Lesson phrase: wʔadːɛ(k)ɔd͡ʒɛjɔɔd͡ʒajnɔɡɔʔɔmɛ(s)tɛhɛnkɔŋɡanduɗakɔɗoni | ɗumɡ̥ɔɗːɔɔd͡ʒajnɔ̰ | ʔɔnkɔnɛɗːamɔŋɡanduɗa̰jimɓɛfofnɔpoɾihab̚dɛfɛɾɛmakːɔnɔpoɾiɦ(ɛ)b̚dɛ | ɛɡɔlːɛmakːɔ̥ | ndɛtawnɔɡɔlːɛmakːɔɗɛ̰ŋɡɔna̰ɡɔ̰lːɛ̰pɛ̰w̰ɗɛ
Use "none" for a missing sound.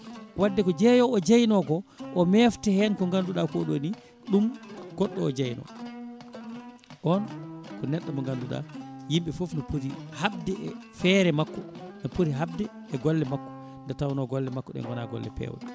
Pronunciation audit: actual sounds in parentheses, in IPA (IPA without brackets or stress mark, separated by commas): k, f, a